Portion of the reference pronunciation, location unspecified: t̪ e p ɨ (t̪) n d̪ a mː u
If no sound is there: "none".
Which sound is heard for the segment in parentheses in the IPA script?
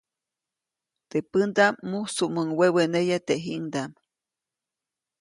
none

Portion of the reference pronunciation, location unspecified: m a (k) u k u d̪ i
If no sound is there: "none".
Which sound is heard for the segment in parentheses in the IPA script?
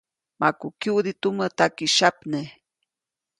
k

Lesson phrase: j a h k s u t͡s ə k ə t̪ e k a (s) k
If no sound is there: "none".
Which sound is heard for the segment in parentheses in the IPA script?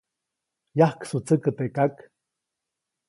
none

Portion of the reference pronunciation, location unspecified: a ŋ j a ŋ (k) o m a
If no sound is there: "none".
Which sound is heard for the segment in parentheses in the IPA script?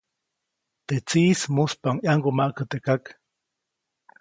ɡ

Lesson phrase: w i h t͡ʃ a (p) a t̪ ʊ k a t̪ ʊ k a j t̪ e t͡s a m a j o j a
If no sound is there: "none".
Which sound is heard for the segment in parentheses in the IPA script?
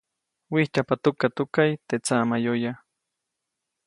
p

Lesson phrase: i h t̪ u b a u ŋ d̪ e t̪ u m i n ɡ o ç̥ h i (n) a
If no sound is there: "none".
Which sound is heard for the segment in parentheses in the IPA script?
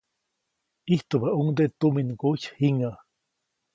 ŋ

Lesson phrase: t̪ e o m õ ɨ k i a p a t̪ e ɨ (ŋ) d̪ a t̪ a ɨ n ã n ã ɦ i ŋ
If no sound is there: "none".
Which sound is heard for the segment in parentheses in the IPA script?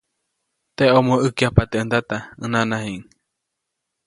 n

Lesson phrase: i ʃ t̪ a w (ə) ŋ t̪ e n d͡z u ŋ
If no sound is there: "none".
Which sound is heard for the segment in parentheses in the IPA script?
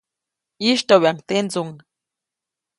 a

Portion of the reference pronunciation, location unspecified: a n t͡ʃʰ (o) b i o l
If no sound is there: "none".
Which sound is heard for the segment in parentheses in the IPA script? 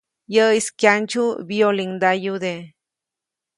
u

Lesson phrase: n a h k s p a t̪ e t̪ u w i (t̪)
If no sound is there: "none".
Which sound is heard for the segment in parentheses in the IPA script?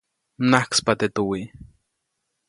none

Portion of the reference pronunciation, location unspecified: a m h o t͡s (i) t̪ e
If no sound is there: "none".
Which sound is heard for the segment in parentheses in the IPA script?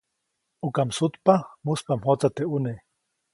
a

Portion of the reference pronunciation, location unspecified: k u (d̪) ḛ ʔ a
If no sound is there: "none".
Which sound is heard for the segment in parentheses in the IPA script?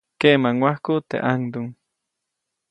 t̪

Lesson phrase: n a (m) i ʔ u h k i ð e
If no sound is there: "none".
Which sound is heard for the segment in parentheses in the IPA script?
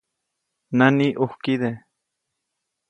n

